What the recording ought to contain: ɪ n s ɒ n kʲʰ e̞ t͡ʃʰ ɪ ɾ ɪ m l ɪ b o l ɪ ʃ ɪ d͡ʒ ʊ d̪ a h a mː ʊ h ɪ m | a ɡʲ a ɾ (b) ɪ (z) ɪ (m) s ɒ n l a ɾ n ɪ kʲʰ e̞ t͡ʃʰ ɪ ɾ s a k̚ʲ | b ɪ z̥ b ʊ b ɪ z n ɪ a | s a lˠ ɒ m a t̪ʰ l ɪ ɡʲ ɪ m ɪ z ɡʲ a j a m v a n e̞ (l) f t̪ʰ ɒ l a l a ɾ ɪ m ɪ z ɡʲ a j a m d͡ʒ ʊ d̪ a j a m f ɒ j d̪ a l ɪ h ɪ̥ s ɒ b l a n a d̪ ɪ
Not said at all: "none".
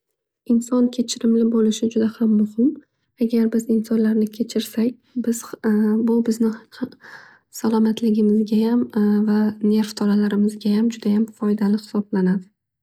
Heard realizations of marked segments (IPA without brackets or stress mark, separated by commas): b, z, n, ɾ